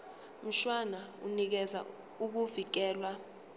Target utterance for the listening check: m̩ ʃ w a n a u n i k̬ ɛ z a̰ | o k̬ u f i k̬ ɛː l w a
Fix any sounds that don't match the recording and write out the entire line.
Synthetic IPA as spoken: m̩ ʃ w a n a u n i k̬ ɛ z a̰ | u k̬ u v i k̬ ɛː l w a